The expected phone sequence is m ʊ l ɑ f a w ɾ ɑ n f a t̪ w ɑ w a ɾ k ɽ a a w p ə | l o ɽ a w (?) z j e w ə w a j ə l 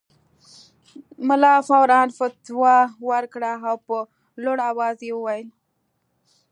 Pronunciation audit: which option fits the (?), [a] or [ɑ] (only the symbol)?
ɑ